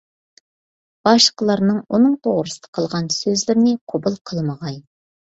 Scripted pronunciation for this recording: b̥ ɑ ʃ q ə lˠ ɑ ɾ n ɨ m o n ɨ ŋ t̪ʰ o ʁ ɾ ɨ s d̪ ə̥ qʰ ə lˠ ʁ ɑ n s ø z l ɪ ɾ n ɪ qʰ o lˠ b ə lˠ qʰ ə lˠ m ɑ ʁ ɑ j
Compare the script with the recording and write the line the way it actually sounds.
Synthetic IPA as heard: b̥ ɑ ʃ q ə lˠ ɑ ɾ n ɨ ŋ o n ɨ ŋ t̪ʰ o ʁ ɾ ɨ s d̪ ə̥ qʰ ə lˠ ʁ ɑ n s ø z l ɪ ɾ n ɪ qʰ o b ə lˠ qʰ ə lˠ m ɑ ʁ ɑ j